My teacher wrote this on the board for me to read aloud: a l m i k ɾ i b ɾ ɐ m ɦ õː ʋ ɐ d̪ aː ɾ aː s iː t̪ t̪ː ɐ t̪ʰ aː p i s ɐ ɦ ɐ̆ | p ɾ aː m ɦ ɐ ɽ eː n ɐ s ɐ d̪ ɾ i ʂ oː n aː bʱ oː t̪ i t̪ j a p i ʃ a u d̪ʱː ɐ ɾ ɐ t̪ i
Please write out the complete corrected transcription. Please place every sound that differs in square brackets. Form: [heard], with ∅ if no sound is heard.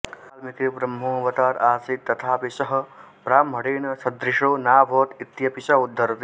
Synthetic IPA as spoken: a l m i k ɾ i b ɾ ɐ m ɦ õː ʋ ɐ [t̪] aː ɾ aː s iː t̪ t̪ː ɐ t̪ʰ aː p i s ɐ ɦ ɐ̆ | p ɾ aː m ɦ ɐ ɽ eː n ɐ s ɐ d̪ ɾ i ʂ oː n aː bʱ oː t̪ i t̪ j [ɐ] p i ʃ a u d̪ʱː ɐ ɾ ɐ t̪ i